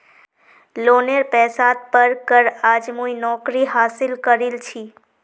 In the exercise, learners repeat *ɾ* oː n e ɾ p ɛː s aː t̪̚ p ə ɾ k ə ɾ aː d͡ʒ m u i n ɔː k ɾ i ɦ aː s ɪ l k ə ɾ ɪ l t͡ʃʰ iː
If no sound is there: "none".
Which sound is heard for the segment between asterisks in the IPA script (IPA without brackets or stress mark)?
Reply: l